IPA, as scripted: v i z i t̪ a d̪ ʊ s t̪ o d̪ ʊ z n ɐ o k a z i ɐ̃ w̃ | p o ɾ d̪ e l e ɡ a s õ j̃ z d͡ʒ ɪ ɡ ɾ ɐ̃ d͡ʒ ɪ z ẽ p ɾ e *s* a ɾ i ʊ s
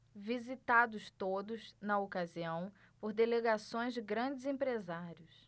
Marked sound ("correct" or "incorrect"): incorrect